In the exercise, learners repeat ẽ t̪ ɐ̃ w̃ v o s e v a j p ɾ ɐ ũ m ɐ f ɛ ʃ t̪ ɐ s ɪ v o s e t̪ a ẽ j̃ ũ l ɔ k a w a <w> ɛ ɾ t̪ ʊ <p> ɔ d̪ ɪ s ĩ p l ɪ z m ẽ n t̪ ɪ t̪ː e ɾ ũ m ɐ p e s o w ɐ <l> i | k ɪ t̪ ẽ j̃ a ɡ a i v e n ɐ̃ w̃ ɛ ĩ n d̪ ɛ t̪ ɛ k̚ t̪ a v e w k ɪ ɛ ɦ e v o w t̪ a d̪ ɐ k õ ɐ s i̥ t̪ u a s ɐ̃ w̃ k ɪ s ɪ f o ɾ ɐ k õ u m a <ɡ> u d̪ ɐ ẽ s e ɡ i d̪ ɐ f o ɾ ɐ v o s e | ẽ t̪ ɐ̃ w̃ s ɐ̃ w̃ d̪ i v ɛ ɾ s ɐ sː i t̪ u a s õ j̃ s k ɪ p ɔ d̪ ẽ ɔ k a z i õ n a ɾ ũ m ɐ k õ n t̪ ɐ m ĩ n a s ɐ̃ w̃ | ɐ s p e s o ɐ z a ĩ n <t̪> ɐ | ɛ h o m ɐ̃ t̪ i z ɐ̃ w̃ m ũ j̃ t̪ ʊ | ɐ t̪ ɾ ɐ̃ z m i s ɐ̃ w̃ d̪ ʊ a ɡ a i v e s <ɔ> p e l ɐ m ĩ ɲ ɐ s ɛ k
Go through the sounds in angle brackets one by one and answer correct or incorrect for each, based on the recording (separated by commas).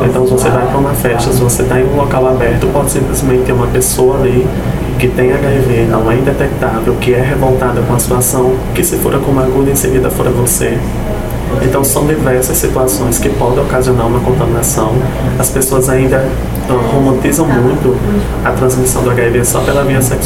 incorrect, correct, correct, correct, incorrect, correct